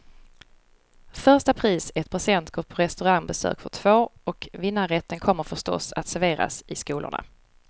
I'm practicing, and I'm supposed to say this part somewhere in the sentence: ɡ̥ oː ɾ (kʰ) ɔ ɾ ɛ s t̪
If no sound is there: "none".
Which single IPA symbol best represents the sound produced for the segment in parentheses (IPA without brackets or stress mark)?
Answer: pʰ